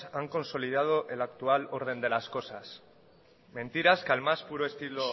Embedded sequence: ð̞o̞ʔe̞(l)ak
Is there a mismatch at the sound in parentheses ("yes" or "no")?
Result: no